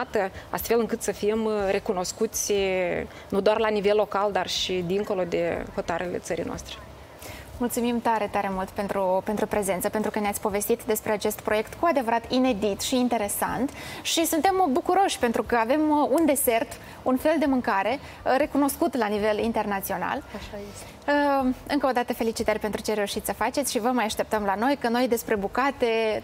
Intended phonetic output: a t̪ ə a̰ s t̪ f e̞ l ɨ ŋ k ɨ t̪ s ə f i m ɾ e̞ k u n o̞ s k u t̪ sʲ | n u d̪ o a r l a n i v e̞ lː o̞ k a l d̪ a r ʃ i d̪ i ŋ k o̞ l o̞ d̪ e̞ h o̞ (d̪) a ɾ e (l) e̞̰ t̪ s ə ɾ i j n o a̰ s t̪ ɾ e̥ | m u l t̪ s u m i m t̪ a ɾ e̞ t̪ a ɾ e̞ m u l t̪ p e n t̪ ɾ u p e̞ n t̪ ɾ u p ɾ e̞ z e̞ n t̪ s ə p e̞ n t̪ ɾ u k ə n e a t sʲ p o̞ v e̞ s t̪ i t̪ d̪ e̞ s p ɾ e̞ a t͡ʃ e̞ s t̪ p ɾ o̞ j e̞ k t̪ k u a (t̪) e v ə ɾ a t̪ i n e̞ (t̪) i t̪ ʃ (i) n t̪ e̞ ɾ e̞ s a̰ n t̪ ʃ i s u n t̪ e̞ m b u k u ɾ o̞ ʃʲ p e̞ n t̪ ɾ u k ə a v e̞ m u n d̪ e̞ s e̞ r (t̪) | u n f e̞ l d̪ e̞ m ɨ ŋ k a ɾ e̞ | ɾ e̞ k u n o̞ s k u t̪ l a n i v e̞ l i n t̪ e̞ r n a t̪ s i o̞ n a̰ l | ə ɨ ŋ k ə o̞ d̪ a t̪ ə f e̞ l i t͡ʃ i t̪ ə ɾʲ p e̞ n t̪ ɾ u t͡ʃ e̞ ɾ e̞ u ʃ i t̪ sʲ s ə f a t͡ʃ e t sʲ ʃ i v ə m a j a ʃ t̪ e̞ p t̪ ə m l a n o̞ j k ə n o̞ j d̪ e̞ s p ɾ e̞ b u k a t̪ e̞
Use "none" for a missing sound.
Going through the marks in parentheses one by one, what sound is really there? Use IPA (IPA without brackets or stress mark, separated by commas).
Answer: t̪, l, d̪, d̪, iː, t̪